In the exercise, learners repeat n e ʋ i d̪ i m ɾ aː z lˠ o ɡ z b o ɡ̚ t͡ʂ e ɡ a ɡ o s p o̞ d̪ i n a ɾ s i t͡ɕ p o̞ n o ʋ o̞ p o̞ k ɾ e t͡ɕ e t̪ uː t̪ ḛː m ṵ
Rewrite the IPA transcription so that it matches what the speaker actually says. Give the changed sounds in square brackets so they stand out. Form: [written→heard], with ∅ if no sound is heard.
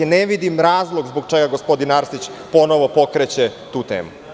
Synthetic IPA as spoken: n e ʋ i d̪ i m ɾ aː z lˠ o ɡ z b o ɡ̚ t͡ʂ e ɡ a ɡ o s p o̞ d̪ i n a ɾ s i t͡ɕ p o̞ n o ʋ o̞ p o̞ k ɾ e t͡ɕ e t̪ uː t̪ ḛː m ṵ